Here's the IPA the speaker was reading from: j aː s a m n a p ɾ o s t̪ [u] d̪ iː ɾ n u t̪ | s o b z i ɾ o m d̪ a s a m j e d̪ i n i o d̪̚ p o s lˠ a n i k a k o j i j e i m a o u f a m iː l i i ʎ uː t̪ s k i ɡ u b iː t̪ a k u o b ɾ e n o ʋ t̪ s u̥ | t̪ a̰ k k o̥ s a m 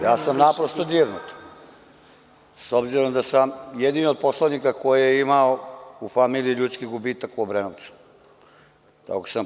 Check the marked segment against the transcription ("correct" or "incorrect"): incorrect